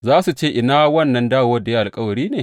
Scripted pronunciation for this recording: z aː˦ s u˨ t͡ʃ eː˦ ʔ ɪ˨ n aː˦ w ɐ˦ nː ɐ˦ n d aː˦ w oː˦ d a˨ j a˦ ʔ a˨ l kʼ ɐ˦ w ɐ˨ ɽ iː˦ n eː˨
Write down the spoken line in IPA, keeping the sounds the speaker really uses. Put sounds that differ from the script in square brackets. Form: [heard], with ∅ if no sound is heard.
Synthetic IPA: z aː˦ s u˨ t͡ʃ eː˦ ʔ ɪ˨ n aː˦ w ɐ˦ nː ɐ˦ n d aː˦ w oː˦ d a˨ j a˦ ʔ a˨ l kʼ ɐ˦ w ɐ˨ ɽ iː˦ n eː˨